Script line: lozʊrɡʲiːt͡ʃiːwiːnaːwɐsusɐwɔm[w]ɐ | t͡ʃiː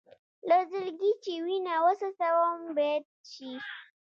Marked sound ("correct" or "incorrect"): incorrect